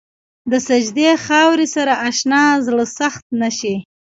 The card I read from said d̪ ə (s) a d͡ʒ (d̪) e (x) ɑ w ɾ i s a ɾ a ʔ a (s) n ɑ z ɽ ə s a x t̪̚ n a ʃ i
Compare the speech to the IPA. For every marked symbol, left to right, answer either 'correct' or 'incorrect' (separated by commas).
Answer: correct, correct, correct, incorrect